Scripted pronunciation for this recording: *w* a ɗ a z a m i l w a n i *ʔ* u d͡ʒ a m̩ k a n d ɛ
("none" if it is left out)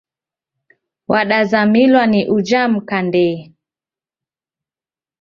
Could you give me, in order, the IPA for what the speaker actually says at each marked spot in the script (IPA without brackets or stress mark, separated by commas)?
w, ʔ